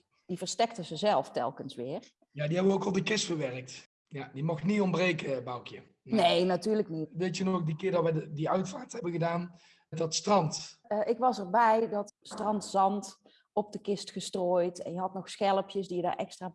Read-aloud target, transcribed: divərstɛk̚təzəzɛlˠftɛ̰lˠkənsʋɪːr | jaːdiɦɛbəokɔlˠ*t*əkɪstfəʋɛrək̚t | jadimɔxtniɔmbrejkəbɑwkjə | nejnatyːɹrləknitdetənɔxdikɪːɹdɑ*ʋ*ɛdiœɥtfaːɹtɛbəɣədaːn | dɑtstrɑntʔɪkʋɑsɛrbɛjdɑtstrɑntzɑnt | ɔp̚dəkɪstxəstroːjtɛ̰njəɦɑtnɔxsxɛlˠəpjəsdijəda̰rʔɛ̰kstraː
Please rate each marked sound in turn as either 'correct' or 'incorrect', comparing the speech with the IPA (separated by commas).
incorrect, correct